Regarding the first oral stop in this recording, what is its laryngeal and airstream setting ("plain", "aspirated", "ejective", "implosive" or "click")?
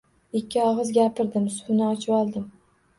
plain